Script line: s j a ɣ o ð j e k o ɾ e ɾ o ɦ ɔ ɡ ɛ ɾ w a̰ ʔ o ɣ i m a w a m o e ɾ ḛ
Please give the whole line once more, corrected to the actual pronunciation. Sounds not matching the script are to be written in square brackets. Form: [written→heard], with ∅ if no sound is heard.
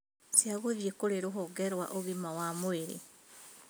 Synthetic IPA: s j a ɣ o ð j e k o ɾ e ɾ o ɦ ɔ ɡ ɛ ɾ w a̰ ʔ o ɣ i m a w a m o e ɾ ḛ